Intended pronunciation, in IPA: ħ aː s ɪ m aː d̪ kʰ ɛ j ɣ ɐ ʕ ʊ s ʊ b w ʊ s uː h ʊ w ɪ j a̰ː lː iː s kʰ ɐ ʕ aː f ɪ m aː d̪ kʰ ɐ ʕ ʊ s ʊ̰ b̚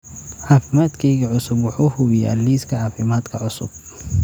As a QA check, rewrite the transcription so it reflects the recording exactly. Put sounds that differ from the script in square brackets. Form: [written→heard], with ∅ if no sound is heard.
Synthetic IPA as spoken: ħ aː [s→f] ɪ m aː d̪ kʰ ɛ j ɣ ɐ ʕ ʊ s ʊ b w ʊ [s→ħ] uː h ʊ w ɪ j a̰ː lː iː s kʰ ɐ ʕ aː f ɪ m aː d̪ kʰ ɐ ʕ ʊ s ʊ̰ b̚